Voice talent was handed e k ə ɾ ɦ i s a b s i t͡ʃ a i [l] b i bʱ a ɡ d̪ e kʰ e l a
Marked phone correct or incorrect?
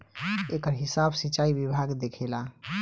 incorrect